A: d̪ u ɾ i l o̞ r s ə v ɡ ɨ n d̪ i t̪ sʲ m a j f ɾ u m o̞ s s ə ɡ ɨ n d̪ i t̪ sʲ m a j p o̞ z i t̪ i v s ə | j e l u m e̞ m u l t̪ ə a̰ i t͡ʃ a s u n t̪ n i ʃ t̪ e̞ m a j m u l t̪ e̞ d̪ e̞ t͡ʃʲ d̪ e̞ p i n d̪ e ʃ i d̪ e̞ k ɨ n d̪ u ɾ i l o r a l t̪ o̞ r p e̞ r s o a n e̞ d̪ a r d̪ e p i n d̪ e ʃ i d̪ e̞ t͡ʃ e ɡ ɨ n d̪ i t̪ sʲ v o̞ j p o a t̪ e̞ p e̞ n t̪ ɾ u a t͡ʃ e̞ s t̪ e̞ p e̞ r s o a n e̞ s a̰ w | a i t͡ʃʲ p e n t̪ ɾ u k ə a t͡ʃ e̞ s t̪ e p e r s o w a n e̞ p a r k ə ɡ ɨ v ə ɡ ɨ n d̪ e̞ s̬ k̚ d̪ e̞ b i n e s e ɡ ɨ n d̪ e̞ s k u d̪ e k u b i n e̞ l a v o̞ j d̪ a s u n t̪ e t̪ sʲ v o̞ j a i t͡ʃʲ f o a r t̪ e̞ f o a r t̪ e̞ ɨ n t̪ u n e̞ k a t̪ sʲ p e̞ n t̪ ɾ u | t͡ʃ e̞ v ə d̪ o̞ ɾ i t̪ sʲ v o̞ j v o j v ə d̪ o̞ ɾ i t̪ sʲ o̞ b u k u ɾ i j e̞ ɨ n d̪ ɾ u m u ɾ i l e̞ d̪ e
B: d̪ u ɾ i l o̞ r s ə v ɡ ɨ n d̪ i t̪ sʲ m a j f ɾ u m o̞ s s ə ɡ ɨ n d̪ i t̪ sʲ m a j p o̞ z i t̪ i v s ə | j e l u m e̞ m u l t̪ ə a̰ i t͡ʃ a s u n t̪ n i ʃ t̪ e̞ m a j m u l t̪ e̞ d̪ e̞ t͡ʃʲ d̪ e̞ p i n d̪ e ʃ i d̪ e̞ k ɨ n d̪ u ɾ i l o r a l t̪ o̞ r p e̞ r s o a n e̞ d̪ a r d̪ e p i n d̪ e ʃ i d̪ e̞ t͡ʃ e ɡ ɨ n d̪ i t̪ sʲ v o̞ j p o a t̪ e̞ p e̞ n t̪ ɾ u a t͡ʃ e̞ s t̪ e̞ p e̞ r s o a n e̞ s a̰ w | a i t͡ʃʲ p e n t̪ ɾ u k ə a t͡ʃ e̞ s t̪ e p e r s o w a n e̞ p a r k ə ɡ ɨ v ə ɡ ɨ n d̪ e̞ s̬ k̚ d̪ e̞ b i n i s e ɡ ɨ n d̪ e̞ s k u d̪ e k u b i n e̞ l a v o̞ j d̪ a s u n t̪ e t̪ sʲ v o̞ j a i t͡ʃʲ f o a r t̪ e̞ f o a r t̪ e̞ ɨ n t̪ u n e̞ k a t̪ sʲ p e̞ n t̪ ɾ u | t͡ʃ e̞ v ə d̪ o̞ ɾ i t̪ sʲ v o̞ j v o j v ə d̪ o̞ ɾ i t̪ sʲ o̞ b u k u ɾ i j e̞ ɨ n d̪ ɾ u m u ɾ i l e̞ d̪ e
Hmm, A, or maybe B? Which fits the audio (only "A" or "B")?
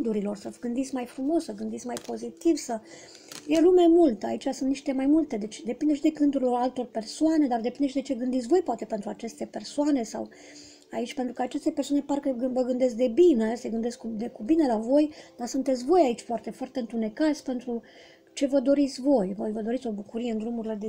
A